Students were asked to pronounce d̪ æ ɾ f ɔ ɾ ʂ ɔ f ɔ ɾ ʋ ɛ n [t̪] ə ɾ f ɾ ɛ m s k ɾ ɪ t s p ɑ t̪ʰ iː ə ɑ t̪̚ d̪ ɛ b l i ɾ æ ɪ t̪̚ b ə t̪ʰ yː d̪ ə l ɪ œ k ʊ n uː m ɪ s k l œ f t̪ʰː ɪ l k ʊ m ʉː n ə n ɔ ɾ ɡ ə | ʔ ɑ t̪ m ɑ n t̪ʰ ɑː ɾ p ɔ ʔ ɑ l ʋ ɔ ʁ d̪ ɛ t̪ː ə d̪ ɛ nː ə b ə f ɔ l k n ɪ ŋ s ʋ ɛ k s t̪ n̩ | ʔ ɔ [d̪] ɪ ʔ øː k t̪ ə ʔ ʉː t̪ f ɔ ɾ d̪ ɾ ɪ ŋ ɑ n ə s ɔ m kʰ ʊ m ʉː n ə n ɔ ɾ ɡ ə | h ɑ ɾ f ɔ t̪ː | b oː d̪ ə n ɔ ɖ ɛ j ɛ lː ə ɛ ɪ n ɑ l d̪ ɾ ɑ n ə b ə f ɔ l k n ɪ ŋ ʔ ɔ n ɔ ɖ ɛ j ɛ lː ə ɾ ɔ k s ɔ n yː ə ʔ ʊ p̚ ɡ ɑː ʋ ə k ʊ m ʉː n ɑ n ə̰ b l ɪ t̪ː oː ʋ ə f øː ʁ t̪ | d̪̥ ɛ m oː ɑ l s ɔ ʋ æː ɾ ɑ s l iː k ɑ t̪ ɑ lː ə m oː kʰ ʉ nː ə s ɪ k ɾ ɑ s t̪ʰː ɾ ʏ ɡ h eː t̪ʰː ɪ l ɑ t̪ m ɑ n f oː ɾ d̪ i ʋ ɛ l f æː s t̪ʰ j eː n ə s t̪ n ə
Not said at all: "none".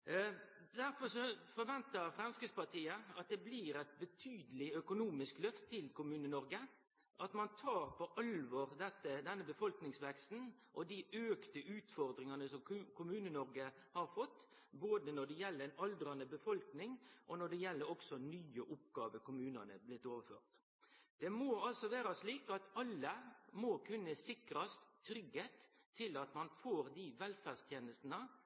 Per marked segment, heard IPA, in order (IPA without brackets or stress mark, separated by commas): t̪, d̪